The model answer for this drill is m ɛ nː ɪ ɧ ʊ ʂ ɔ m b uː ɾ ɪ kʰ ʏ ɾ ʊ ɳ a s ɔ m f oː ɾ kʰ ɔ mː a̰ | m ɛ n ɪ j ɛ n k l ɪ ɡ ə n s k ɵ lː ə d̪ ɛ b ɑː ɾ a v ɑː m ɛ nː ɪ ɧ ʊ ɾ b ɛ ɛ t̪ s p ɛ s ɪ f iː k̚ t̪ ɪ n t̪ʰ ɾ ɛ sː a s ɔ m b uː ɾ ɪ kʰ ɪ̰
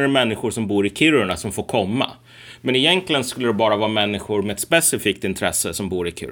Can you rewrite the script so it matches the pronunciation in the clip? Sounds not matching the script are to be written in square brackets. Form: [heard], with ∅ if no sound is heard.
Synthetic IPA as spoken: m ɛ nː ɪ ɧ ʊ ʂ ɔ m b uː ɾ ɪ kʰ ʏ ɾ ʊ ɳ a s ɔ m f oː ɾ kʰ ɔ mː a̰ | m ɛ n ɪ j ɛ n k l ɪ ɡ ə n s k ɵ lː ə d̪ ɛ b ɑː ɾ a v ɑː m ɛ nː ɪ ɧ ʊ ɾ [m] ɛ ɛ t̪ s p ɛ s ɪ f iː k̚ t̪ ɪ n t̪ʰ ɾ ɛ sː [ə] s ɔ m b uː ɾ ɪ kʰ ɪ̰